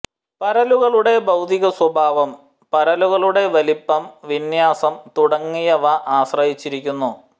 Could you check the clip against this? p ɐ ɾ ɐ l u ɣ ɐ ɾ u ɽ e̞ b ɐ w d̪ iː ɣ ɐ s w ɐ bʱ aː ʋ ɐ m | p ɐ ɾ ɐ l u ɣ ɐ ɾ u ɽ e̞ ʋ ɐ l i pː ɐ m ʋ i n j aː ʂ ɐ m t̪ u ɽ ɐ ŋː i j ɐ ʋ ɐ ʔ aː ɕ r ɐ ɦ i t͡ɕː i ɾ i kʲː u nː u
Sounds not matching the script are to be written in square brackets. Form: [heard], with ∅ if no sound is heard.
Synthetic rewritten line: p ɐ ɾ ɐ l u ɣ ɐ [ɭ] u ɽ e̞ b ɐ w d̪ [i] ɣ ɐ s w ɐ bʱ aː ʋ ɐ m | p ɐ ɾ ɐ l u ɣ ɐ [ɭ] u ɽ e̞ ʋ ɐ l i pː ɐ m ʋ i n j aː [s] ɐ m t̪ u ɽ ɐ ŋː i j ɐ ʋ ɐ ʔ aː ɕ r ɐ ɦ i t͡ɕː i ɾ i kʲː u nː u